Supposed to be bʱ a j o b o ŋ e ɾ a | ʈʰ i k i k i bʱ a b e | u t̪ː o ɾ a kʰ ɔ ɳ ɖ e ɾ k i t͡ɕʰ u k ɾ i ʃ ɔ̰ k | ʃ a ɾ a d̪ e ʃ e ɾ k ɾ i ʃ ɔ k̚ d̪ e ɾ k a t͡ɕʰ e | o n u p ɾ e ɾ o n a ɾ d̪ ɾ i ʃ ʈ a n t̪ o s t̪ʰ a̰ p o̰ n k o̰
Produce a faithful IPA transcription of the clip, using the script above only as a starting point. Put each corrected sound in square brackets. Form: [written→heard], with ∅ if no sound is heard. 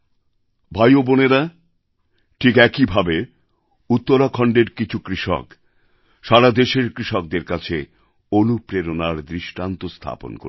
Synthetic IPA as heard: bʱ a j o b o [ŋ→n] e ɾ a | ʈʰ i k [i→ɛ] k i bʱ a b e | u t̪ː o ɾ a kʰ ɔ ɳ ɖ e ɾ k i t͡ɕʰ u k ɾ i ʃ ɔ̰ k | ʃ a ɾ a d̪ e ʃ e ɾ k ɾ i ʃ ɔ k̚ d̪ e ɾ k a t͡ɕʰ e | o n u p ɾ e ɾ o n a ɾ d̪ ɾ i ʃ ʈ a n t̪ o s t̪ʰ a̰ p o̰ n k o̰